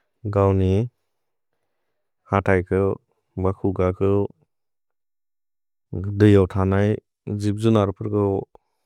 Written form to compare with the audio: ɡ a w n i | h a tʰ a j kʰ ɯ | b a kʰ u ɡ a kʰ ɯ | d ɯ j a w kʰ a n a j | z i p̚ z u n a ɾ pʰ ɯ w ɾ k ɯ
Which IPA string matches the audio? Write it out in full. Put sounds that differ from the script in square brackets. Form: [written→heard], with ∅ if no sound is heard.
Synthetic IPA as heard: ɡ a w n i | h a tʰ a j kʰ ɯ | b a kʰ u ɡ a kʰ ɯ | d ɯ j a w [kʰ→tʰ] a n a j | z i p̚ z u n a ɾ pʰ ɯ [w→∅] ɾ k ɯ